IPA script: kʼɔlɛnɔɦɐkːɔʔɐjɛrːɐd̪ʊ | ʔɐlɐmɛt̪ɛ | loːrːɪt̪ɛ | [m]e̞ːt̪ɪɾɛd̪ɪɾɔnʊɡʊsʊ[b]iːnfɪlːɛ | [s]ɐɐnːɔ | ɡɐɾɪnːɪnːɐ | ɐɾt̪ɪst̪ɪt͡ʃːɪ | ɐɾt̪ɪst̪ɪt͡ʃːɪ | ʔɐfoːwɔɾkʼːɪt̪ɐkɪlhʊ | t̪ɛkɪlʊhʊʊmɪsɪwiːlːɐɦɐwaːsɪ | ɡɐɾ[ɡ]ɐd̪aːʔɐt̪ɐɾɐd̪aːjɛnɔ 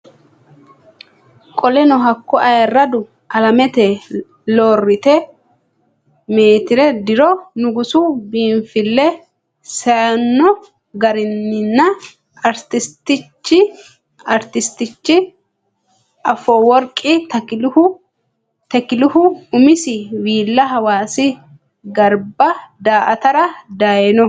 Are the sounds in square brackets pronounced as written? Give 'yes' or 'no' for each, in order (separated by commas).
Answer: yes, yes, yes, no